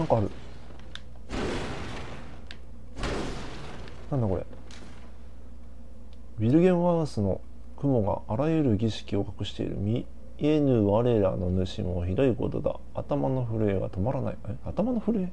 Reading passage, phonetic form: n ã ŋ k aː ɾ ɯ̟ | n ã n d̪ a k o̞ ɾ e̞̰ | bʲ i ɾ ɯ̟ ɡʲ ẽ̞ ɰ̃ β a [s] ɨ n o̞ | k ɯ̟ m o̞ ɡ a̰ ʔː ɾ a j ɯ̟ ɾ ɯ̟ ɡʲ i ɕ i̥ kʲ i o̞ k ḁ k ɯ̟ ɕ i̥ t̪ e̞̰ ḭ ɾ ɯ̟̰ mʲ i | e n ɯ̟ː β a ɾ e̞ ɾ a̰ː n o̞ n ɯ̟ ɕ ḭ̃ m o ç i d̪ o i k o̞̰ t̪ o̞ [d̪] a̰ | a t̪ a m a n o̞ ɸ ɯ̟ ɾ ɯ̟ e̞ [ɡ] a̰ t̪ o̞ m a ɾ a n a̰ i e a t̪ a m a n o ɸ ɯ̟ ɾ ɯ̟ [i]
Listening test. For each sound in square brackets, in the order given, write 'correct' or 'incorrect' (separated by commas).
correct, correct, correct, incorrect